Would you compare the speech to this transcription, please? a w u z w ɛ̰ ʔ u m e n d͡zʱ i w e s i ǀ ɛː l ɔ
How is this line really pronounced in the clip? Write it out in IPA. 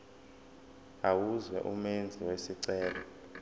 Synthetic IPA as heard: a w u z w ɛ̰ ʔ u m e n d͡zʱ i w e s i ǀ ɛː l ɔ